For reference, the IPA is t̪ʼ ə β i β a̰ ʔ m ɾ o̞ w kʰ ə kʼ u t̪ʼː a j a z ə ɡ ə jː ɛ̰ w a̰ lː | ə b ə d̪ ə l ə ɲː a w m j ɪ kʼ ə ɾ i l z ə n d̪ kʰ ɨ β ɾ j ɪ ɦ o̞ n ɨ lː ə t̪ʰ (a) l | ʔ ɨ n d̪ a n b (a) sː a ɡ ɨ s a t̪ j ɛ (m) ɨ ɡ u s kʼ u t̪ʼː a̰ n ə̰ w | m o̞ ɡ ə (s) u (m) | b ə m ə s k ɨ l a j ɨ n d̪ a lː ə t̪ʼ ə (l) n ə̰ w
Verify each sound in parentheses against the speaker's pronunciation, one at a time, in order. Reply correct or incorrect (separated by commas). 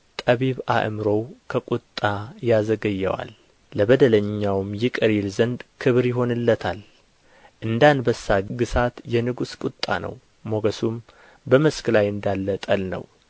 correct, incorrect, incorrect, correct, correct, correct